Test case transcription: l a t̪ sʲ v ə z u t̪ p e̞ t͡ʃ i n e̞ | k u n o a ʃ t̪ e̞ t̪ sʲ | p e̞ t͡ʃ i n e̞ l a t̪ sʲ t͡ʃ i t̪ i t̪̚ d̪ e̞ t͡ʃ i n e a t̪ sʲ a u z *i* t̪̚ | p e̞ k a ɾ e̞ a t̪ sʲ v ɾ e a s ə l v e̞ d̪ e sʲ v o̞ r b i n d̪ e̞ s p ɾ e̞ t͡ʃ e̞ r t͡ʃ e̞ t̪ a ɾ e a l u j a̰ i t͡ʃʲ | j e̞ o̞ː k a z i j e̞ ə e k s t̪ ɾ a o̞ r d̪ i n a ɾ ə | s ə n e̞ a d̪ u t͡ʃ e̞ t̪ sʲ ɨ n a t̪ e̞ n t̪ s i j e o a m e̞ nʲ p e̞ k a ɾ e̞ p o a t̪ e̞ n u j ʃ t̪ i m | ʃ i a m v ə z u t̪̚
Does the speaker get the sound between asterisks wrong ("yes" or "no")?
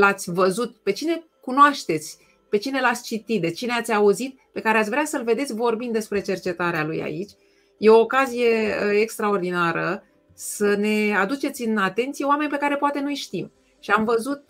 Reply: no